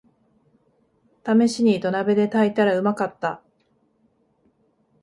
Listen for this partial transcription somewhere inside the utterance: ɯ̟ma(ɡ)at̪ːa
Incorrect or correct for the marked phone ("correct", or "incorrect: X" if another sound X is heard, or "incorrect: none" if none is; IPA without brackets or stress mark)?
incorrect: k